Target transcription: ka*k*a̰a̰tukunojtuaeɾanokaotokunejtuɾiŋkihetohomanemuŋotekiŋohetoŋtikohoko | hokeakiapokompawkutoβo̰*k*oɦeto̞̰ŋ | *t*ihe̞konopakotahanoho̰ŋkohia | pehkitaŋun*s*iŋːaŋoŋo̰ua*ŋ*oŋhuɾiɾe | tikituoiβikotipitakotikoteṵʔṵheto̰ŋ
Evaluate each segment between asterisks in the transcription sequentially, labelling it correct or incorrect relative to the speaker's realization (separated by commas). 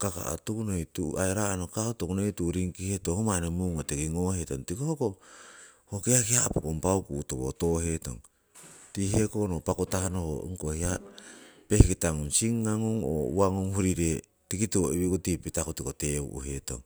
correct, incorrect, correct, correct, correct